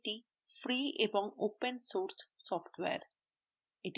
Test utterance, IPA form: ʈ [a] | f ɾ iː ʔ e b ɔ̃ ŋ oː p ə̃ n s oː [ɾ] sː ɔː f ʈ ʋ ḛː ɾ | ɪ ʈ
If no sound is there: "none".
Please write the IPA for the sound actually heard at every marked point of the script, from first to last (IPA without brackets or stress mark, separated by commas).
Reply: i, ɾ